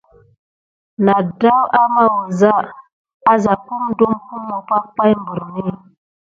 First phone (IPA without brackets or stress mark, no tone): n